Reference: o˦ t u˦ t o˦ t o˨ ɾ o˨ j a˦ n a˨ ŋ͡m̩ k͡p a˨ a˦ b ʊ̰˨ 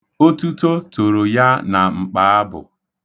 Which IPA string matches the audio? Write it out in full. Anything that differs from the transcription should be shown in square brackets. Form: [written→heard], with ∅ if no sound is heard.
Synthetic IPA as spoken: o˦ t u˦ t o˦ t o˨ ɾ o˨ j a˦ n a˨ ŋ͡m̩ k͡p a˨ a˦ b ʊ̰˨